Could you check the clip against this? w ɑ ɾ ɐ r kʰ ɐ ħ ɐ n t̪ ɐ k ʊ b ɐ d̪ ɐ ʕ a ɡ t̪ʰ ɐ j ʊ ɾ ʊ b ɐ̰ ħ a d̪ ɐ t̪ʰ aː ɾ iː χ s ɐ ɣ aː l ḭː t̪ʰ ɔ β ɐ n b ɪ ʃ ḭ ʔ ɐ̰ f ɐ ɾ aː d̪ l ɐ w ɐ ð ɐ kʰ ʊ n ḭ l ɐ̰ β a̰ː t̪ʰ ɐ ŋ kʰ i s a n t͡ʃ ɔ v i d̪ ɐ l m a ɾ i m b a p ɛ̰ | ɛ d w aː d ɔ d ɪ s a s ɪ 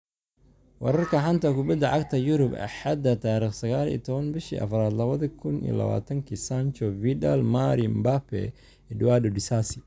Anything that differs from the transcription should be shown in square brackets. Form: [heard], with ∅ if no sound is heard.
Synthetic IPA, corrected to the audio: w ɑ ɾ ɐ r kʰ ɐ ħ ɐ n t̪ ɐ k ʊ b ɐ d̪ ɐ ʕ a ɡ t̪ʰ ɐ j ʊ ɾ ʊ b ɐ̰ ħ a d̪ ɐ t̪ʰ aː ɾ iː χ s ɐ ɣ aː l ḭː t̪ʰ ɔ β ɐ n b ɪ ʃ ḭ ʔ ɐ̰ f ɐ ɾ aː d̪ l ɐ [β] ɐ ð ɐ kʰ ʊ n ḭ l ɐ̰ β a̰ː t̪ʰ ɐ ŋ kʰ i s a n t͡ʃ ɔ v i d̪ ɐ l m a ɾ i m b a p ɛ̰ | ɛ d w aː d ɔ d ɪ s a s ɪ